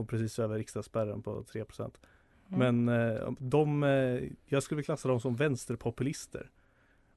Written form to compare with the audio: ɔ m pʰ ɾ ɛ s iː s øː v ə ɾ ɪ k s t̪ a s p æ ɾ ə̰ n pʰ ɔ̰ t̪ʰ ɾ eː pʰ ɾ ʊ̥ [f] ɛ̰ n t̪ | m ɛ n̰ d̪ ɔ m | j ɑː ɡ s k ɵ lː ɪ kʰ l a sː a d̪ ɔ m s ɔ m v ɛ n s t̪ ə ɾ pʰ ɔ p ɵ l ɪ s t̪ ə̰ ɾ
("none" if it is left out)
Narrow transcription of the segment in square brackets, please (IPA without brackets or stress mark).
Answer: s